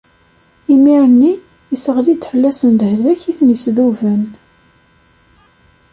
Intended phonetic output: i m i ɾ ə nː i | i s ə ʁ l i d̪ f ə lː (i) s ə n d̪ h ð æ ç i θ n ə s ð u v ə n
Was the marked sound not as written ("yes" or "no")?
yes